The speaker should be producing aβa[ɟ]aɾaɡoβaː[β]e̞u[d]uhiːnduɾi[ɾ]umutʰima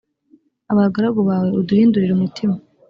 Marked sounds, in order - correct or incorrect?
incorrect: ɡ, incorrect: w, correct, correct

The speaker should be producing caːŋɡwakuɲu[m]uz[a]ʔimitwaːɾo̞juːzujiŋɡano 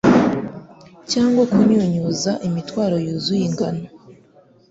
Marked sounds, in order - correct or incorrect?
incorrect: ɲ, correct

